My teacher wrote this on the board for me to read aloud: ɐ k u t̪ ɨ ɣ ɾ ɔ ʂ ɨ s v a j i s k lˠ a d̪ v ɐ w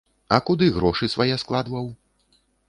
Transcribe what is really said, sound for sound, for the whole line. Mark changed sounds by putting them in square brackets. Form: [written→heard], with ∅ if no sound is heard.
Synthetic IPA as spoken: ɐ k u [t̪→d̪] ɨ ɣ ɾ ɔ ʂ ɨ s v a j [i→ɛ] s k lˠ a d̪ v ɐ w